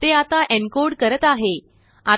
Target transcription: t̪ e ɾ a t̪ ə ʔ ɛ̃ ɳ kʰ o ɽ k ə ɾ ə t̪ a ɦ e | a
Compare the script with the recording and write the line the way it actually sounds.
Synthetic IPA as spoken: t̪ e a t̪ a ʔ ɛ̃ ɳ k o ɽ k ə ɾ ə t̪ a ɦ e | a